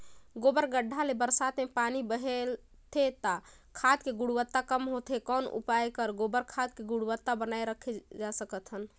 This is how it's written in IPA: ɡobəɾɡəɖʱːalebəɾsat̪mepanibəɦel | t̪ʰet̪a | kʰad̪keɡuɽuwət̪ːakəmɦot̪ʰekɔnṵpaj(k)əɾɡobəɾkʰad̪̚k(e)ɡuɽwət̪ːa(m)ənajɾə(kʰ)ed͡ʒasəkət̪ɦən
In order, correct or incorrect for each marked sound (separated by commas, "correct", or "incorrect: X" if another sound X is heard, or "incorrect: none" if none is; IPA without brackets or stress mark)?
correct, correct, incorrect: b, correct